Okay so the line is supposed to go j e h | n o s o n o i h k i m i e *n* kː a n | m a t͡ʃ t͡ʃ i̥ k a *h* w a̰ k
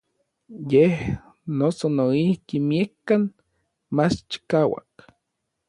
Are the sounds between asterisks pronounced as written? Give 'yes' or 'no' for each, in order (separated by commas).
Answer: no, no